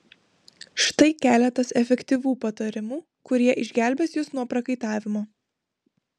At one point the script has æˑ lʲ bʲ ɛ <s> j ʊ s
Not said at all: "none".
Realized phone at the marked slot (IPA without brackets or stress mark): s